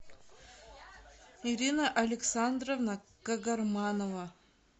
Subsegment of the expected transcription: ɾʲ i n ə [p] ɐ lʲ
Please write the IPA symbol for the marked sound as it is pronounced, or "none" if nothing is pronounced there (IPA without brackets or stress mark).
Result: ʔ